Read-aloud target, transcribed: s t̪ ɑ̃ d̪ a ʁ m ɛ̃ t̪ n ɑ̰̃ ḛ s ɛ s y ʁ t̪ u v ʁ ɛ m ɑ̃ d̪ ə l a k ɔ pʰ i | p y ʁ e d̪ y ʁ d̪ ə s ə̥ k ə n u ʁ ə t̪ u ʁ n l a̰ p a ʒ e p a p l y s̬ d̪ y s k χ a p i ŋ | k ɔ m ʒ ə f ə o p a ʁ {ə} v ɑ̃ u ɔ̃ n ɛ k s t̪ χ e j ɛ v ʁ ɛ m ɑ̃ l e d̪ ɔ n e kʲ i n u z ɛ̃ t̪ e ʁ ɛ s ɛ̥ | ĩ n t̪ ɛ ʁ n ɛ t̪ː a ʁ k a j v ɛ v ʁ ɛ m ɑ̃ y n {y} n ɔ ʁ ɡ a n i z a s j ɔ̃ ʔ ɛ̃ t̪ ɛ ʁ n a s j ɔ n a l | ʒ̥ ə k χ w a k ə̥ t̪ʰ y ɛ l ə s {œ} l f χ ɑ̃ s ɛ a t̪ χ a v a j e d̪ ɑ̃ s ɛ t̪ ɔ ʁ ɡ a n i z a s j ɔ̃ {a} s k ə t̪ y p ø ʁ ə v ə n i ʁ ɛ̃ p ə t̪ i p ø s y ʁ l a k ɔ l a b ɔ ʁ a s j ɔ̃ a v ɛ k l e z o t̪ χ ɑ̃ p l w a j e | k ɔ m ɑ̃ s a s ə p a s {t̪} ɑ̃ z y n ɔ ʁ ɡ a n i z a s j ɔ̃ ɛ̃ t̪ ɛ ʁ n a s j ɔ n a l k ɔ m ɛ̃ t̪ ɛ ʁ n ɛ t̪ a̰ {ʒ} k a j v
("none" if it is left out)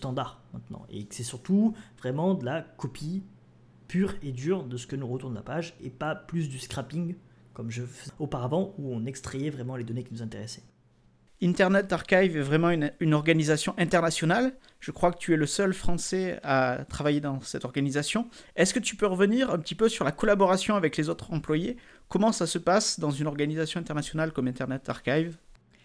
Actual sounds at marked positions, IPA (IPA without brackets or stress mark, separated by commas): a, y, œ, ɛ, d̪, ʁ